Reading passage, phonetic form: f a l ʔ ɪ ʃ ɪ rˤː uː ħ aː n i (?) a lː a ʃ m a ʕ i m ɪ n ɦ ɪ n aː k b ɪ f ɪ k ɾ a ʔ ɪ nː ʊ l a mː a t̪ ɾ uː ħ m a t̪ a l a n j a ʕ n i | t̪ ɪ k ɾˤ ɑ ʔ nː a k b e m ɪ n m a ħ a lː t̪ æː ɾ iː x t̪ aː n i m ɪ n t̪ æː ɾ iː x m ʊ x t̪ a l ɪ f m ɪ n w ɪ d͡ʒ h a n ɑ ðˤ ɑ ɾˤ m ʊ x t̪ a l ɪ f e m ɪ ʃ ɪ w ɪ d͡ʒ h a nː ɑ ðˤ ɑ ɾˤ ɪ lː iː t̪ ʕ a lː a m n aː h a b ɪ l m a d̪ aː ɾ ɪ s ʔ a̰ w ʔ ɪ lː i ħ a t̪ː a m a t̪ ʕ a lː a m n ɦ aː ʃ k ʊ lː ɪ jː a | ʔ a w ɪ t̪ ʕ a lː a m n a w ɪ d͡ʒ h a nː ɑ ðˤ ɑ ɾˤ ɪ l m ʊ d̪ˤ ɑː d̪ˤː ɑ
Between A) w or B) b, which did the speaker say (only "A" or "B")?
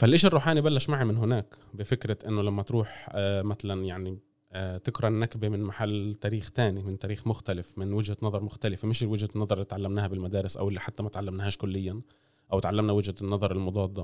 B